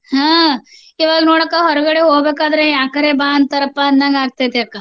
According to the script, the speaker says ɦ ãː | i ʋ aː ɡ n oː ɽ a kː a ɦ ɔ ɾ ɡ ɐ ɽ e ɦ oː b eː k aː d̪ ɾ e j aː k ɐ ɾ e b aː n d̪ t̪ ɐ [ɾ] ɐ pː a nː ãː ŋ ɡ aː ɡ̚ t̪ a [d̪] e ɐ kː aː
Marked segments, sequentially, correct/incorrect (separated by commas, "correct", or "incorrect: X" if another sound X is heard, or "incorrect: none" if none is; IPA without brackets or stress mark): correct, incorrect: t̪